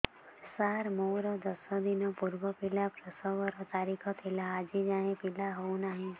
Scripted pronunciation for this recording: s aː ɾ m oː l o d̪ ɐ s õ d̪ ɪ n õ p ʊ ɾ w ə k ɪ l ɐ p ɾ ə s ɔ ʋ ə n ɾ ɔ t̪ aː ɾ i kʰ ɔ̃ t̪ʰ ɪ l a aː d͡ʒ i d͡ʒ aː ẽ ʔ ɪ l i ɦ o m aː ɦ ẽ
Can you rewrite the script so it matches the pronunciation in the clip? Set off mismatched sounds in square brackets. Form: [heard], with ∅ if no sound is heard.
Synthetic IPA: s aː ɾ m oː [ɾ] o d̪ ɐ s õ d̪ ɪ n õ p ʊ ɾ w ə [p] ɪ l [a] p ɾ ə s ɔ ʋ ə [∅] ɾ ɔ t̪ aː ɾ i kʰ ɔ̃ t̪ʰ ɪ l a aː d͡ʒ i d͡ʒ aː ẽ [p] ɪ l [a] ɦ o [n] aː ɦ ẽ